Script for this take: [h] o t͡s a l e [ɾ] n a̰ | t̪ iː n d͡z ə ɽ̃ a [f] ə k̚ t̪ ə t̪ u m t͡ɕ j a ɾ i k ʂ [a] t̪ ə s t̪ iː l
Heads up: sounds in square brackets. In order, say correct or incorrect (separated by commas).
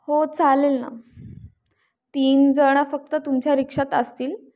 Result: correct, incorrect, correct, correct